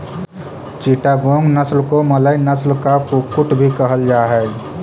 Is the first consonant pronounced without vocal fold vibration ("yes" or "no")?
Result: yes